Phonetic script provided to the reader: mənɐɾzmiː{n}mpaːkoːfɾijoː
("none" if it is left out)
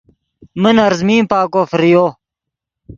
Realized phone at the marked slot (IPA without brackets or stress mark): none